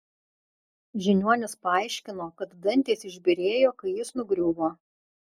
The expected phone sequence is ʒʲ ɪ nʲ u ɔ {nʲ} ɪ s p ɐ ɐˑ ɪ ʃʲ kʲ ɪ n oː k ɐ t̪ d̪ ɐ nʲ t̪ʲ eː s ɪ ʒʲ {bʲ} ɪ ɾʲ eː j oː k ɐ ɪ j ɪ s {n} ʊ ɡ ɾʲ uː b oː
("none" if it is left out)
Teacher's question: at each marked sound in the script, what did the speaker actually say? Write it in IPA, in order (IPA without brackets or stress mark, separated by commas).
nʲ, bʲ, n